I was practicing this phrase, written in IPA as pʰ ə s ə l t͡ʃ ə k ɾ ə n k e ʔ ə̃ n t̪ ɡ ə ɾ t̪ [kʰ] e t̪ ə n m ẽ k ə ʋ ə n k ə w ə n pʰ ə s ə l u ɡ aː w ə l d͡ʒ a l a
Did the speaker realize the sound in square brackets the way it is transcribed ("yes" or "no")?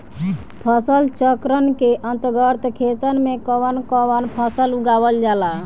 yes